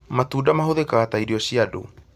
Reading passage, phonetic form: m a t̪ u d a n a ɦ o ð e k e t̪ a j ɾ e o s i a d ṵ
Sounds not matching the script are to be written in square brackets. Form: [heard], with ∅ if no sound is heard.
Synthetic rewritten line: m a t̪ u d a [m] a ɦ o ð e k [a] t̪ a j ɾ [i] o s i a d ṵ